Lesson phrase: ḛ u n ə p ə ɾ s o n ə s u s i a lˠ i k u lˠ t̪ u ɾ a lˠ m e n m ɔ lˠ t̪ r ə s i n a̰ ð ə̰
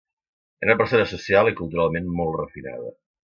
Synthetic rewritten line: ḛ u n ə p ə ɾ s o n ə s u s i a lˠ i k u lˠ t̪ u ɾ a lˠ m e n m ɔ lˠ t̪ r ə f i n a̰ ð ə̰